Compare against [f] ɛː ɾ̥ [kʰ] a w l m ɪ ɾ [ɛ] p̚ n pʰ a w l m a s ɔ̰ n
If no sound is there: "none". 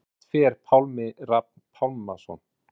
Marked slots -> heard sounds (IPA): f, pʰ, a

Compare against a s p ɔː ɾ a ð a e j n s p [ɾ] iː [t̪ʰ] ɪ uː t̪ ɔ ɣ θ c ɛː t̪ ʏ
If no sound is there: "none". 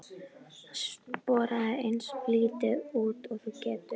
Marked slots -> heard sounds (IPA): l, t̪

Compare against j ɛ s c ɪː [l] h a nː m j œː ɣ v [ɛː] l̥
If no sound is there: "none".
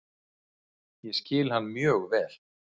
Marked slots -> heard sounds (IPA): l, ɛː

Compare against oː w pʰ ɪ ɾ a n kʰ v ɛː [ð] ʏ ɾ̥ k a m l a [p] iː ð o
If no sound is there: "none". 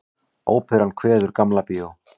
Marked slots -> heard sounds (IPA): ð, p

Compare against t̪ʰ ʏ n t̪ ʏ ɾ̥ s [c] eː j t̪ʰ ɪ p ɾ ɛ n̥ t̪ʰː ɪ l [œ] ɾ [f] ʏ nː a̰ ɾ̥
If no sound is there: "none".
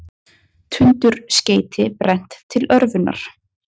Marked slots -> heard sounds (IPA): c, œ, v

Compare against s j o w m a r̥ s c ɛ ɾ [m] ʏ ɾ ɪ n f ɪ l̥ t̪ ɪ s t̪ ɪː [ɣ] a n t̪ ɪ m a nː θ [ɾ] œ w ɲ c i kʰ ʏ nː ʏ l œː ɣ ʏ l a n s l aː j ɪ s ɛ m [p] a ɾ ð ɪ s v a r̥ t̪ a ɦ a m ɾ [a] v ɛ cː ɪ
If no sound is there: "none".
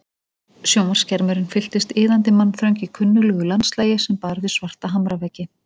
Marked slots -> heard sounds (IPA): m, ð, ɾ, p, a

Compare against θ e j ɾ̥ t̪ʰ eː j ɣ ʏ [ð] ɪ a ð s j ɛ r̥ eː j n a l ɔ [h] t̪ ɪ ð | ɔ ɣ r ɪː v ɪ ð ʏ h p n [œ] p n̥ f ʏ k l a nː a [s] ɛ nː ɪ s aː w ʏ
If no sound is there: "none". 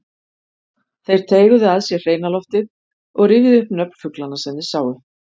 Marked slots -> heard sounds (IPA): ð, f, œ, s

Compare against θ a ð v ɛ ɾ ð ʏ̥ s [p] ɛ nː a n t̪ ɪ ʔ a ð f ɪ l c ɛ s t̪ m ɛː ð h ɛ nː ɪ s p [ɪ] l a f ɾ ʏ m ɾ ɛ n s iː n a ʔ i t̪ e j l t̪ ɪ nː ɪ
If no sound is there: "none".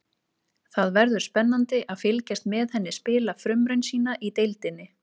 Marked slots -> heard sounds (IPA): p, ɪː

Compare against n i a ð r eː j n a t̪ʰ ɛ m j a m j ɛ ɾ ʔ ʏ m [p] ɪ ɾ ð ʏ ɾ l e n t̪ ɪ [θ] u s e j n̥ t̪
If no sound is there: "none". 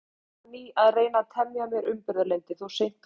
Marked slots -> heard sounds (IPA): p, θ

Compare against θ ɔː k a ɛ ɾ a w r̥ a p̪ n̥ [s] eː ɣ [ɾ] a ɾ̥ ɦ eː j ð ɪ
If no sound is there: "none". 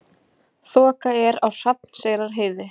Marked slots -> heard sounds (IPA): s, ɾ

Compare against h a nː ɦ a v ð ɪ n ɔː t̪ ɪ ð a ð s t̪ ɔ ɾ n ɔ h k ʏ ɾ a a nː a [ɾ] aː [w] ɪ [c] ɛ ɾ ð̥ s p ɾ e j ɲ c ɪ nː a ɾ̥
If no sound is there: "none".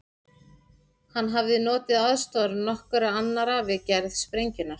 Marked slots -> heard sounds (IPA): ɾ, v, c

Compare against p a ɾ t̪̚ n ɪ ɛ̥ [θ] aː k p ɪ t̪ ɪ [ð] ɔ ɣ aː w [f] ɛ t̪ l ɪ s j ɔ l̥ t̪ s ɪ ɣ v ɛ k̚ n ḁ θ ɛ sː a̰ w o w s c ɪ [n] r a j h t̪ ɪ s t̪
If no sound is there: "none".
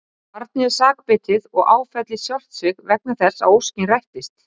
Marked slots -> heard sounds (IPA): s, ð, f, n

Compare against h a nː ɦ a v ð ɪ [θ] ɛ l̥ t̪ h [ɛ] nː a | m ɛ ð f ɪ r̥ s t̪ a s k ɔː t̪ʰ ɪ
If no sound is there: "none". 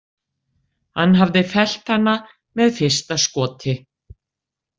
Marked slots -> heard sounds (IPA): f, a

